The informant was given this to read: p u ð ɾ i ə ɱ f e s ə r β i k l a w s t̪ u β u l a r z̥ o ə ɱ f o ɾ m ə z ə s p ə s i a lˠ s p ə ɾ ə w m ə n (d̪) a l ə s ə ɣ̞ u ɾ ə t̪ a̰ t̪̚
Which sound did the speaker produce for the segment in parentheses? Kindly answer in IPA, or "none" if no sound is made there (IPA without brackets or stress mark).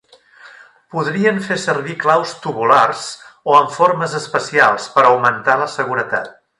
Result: t̪